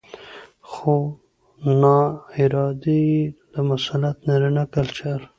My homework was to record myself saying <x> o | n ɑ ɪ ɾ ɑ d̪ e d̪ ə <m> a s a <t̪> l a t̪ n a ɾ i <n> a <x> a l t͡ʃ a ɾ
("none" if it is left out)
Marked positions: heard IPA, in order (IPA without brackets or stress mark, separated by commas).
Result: x, m, none, n, k